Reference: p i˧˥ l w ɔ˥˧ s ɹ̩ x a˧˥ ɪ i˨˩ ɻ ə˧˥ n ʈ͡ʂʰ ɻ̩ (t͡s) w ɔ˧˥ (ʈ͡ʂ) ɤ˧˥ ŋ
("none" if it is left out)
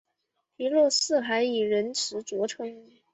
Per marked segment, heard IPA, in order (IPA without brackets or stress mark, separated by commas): t͡s, ʈ͡ʂʰ